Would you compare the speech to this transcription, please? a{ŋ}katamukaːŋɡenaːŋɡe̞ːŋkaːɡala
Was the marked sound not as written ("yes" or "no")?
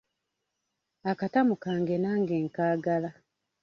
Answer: yes